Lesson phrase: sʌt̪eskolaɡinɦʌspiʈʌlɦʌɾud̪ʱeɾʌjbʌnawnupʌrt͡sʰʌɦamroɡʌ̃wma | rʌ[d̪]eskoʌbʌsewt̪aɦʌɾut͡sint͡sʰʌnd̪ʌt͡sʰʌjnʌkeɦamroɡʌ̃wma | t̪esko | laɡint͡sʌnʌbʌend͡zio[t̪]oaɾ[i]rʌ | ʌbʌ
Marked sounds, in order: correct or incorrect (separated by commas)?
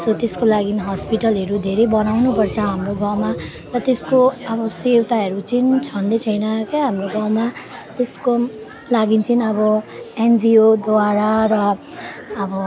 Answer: incorrect, incorrect, incorrect